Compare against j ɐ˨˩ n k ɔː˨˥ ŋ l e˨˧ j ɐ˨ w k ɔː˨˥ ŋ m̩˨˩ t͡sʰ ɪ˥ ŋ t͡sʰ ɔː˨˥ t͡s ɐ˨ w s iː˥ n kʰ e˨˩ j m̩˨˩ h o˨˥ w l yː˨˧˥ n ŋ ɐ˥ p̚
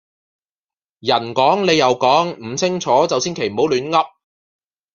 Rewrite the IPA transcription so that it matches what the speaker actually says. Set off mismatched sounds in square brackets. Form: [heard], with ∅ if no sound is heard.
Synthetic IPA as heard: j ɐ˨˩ n k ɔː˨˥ ŋ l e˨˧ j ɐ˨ w k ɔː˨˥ ŋ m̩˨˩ t͡sʰ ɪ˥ ŋ t͡sʰ ɔː˨˥ t͡s ɐ˨ w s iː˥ n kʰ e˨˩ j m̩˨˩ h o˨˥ w l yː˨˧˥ n ŋ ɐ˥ p̚